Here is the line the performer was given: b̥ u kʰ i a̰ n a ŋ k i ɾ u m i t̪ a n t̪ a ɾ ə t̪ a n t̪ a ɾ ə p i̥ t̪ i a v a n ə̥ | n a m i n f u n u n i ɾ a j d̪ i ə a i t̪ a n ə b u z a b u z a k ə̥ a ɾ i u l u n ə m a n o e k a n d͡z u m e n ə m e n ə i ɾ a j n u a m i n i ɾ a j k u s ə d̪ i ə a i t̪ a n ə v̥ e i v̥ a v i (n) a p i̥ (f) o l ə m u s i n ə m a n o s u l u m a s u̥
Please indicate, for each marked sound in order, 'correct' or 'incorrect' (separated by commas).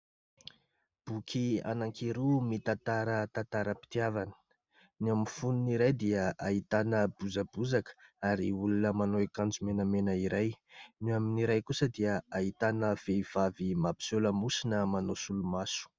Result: incorrect, incorrect